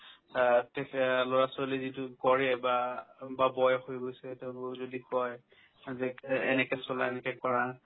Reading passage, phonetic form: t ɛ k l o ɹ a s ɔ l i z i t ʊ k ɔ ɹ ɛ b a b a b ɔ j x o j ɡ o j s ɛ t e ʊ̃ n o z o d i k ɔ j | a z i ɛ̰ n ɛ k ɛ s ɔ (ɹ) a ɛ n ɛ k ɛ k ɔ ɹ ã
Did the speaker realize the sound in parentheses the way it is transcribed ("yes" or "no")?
no